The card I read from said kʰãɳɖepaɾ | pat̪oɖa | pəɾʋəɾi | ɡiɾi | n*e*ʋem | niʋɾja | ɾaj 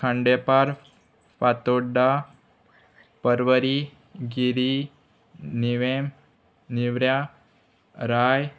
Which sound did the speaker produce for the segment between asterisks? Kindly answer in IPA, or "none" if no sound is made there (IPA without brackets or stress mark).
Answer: i